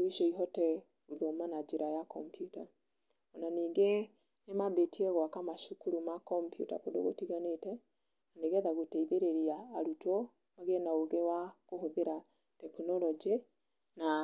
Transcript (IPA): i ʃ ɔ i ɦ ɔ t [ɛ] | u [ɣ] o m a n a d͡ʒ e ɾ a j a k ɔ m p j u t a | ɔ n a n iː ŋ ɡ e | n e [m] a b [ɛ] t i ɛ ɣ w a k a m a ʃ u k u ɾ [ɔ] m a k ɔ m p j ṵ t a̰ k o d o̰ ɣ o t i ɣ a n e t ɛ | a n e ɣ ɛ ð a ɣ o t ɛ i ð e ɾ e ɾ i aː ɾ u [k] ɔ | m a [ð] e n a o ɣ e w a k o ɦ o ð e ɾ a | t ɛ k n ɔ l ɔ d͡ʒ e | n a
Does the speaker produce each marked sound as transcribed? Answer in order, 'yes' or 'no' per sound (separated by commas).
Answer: yes, no, yes, no, no, no, no